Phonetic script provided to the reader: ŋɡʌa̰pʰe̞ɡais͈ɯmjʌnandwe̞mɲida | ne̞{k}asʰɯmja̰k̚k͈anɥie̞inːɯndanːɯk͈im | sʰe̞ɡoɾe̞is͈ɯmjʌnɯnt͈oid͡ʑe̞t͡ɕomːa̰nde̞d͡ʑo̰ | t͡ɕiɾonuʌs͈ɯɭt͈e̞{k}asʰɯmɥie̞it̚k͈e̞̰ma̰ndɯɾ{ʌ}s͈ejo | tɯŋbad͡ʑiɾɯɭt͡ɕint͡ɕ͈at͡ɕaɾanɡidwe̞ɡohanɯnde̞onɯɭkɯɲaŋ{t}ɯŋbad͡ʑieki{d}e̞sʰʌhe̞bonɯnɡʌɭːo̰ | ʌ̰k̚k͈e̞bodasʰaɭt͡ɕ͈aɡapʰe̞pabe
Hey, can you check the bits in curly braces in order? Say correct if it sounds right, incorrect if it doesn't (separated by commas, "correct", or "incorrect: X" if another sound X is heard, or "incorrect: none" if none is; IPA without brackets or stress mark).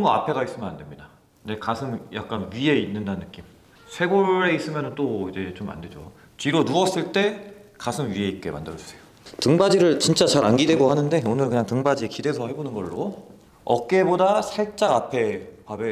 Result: correct, correct, correct, correct, correct